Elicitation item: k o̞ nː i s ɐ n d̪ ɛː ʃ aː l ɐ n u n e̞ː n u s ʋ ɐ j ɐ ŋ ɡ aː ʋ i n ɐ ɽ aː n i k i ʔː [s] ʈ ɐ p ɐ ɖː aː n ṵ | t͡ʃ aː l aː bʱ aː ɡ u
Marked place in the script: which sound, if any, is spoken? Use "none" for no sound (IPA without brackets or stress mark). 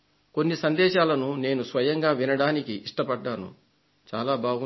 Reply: ʂ